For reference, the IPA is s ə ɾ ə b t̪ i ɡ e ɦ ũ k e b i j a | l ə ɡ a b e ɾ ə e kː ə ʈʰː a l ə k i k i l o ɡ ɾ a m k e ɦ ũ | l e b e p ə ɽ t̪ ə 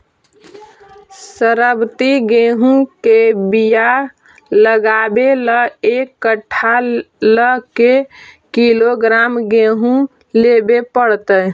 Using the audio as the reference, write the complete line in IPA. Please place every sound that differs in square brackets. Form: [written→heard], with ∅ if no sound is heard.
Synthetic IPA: s ə ɾ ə b t̪ i ɡ e ɦ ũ k e b i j a | l ə ɡ a b e [ɾ→l] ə e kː ə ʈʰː a l ə k [i→e] k i l o ɡ ɾ a m [k→ɡ] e ɦ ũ | l e b e p ə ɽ t̪ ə